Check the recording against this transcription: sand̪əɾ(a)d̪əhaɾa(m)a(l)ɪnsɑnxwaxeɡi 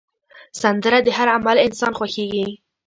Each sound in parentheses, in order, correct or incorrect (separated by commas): correct, correct, correct